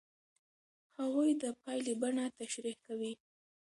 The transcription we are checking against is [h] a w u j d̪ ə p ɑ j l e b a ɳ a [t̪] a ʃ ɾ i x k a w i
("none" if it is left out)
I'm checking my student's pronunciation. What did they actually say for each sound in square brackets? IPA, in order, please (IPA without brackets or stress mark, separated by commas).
h, t̪